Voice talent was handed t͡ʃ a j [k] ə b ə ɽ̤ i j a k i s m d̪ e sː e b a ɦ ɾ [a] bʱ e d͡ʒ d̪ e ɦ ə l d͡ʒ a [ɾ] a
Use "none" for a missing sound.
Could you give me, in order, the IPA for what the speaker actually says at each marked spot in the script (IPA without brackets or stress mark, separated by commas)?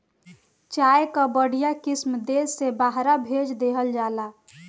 k, a, l